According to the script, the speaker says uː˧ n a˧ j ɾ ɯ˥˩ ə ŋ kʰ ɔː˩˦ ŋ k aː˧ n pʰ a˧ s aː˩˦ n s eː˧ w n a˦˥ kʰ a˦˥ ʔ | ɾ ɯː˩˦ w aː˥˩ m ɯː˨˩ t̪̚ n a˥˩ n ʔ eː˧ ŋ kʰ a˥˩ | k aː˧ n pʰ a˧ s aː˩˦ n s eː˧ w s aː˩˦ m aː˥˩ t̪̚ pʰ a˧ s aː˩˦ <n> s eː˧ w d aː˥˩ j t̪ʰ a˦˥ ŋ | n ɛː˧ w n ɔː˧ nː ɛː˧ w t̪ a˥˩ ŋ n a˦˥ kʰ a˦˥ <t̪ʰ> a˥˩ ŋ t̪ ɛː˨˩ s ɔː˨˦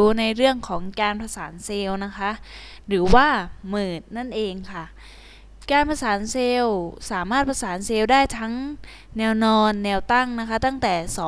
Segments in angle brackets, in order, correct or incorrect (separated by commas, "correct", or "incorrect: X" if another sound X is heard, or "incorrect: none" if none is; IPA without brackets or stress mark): correct, incorrect: t̪